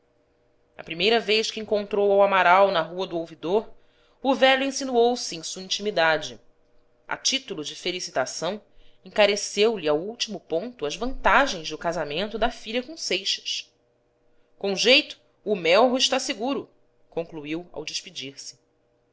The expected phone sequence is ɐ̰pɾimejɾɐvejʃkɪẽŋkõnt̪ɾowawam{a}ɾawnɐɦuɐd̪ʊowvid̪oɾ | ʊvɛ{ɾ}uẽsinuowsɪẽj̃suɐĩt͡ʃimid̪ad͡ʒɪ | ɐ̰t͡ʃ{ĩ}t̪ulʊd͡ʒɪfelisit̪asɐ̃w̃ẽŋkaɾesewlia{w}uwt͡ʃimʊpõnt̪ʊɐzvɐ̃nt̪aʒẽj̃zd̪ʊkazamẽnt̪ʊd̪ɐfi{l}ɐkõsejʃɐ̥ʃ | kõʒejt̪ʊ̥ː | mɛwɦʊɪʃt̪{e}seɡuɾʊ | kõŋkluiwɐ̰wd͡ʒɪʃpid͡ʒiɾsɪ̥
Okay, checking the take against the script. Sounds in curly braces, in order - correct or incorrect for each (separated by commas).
correct, incorrect, incorrect, correct, incorrect, incorrect